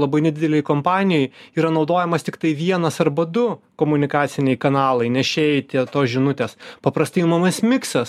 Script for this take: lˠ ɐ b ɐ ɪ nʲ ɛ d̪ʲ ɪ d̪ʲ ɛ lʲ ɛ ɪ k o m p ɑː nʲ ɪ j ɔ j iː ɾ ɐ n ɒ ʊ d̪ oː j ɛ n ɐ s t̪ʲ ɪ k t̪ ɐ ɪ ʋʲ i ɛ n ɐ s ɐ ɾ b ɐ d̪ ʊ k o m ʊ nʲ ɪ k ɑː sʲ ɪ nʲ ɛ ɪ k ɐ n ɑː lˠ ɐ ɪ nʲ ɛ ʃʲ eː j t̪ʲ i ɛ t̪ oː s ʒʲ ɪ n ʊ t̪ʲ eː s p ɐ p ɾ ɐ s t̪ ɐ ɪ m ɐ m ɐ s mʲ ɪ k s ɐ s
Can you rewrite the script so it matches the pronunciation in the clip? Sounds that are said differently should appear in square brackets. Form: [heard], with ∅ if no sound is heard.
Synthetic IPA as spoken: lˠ ɐ b ɐ ɪ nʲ ɛ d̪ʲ ɪ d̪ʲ ɛ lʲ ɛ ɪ k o m p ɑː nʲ ɪ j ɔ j iː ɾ ɐ n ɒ ʊ d̪ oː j ɛ [m] ɐ s t̪ʲ ɪ k t̪ ɐ ɪ ʋʲ i ɛ n ɐ s ɐ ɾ b ɐ d̪ ʊ k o m ʊ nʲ ɪ k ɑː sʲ ɪ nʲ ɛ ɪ k ɐ n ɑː lˠ ɐ ɪ nʲ ɛ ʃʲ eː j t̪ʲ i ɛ t̪ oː s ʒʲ ɪ n ʊ t̪ʲ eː s p ɐ p ɾ ɐ s t̪ ɐ ɪ m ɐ m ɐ s mʲ ɪ k s ɐ s